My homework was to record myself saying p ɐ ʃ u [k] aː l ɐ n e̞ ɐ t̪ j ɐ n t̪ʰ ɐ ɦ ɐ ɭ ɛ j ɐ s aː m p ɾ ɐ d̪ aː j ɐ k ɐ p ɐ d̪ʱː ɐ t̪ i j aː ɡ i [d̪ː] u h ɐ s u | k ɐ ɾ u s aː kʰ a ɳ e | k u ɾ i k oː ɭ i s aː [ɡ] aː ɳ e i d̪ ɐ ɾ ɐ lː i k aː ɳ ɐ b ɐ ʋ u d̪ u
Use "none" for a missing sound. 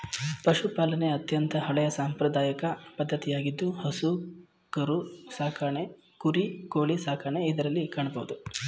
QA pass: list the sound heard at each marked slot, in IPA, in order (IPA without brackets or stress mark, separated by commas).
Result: p, d̪ː, k